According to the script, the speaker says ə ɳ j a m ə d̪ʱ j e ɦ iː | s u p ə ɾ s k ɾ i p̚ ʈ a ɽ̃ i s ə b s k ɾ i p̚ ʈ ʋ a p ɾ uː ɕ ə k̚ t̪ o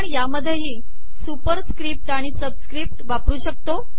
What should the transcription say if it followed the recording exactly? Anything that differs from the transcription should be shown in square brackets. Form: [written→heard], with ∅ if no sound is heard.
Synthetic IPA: ə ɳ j a m ə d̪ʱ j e ɦ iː | s u p ə ɾ s k ɾ i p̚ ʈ a ɽ̃ i s ə b s k ɾ i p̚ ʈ ʋ a p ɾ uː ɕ ə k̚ t̪ o